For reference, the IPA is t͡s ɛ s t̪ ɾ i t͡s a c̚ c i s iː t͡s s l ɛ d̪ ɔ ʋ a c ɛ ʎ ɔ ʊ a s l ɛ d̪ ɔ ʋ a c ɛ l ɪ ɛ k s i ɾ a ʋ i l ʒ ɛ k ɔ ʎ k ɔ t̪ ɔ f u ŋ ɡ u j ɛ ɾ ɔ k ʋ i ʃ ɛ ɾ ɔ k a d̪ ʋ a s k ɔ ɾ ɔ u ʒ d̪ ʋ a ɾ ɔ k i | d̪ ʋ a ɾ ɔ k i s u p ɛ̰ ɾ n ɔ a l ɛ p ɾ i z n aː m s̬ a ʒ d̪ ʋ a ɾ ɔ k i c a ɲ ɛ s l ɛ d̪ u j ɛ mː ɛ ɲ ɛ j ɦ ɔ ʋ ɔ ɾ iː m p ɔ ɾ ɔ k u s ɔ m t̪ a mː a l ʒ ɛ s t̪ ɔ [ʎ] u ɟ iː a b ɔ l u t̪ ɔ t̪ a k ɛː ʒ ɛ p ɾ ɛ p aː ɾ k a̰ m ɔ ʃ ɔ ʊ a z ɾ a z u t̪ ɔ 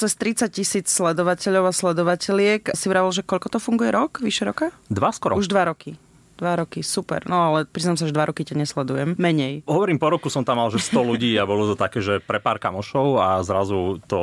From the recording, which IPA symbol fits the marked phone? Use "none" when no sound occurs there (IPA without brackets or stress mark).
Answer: l